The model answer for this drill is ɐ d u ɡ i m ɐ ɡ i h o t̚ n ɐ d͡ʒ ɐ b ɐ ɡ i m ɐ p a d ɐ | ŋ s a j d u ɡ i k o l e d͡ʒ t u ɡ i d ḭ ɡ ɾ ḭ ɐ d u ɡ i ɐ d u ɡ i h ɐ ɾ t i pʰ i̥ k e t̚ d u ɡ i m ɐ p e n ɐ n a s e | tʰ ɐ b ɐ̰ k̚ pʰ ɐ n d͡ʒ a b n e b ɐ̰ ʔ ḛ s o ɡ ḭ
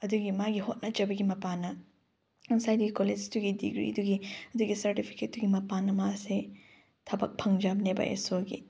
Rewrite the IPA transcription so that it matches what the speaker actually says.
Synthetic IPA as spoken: ɐ d u ɡ i m a ɡ i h o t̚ n ɐ d͡ʒ ɐ b ɐ ɡ i m ɐ p a n ɐ | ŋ s a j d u ɡ i k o l e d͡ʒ t u ɡ i d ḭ ɡ ɾ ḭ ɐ d u ɡ i ɐ d u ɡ i s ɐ ɾ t i pʰ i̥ k e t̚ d u ɡ i m ɐ p a n ɐ m a s e | tʰ ɐ b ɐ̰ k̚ pʰ ɐ ŋ d͡ʒ a b n e b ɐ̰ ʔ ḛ s o ɡ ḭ

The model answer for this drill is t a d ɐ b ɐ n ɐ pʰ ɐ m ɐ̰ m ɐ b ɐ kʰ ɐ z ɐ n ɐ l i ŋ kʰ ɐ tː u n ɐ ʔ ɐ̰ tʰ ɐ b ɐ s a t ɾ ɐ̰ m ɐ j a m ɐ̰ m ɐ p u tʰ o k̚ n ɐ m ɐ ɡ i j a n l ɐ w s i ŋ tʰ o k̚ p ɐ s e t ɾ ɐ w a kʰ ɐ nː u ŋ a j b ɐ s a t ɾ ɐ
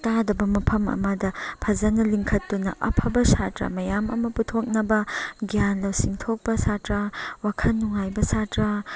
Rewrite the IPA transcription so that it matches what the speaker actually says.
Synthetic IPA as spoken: t a d ɐ b ɐ m ɐ pʰ ɐ m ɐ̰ m ɐ d ɐ pʰ ɐ z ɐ n ɐ l i ŋ kʰ ɐ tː u n ɐ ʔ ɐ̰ pʰ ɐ b ɐ s a t ɾ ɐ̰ m ɐ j a m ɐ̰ m ɐ p u tʰ o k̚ n ɐ b ɐ ɡ i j a n l ɐ w s i ŋ tʰ o k̚ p ɐ s a t ɾ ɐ w a kʰ ɐ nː u ŋ a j b ɐ s a t ɾ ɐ

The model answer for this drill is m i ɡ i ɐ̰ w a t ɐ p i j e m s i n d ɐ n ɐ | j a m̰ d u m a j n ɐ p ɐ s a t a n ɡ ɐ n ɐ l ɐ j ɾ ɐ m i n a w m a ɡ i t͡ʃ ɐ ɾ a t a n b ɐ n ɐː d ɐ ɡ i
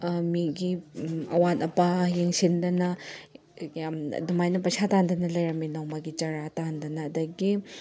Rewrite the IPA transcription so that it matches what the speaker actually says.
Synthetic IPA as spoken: m i ɡ i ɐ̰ w a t ɐ p a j e ŋ s i n d ɐ n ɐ | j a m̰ d u m a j n ɐ p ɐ s a t a n d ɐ n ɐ l ɐ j ɾ ɐ m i n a w m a ɡ i t͡ʃ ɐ ɾ a t a n d ɐ n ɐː d ɐ ɡ i

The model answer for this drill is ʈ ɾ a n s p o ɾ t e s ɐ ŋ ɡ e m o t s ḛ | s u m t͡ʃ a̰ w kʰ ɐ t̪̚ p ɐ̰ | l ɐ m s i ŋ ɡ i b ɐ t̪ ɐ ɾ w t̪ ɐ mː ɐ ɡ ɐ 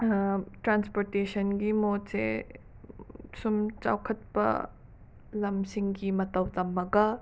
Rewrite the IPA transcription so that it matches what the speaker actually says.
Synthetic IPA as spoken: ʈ ɾ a n s p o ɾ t e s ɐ n ɡ i m o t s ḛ | s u m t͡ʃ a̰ w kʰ ɐ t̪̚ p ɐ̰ | l ɐ m s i ŋ ɡ i m ɐ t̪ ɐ w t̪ ɐ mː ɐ ɡ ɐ

